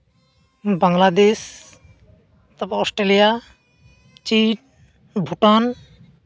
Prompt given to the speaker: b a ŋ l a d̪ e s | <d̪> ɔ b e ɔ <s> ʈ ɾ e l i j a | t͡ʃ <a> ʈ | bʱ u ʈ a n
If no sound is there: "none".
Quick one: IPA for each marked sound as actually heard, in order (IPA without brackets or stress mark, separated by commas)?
t̪, s, i